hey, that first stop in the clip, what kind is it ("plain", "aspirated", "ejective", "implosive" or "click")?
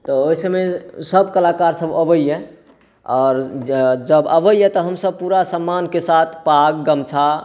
plain